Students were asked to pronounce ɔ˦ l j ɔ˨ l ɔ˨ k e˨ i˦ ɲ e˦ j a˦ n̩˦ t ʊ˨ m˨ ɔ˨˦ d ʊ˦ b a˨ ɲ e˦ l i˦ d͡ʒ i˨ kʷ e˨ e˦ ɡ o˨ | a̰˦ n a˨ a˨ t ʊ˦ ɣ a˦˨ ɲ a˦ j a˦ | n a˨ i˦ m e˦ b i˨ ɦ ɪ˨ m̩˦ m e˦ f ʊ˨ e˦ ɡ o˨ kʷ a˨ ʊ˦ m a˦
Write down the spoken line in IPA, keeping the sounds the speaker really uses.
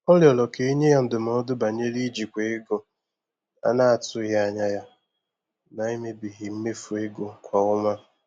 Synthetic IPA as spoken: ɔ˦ l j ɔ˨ l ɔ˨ k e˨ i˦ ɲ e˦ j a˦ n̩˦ d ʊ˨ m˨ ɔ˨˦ d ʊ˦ b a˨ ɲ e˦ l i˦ d͡ʒ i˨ kʷ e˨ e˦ ɡ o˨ | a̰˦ n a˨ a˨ t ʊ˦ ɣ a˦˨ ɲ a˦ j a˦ | n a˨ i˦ m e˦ b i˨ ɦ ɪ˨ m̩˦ m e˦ f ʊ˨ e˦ ɡ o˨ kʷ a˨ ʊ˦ m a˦